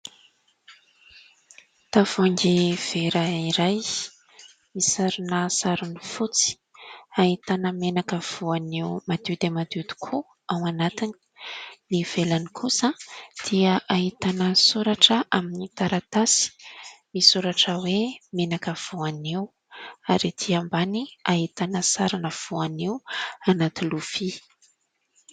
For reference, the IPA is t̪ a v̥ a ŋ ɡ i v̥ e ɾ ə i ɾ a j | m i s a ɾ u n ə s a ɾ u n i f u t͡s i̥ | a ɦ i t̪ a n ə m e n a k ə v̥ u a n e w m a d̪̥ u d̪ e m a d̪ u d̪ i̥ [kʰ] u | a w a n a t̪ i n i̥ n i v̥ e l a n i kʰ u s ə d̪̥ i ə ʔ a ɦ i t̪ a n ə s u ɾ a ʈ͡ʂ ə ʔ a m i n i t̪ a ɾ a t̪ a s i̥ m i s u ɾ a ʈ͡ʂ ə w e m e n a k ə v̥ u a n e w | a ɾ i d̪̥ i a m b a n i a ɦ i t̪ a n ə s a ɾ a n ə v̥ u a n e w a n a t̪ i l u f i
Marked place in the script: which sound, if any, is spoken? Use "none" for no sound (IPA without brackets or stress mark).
kʰ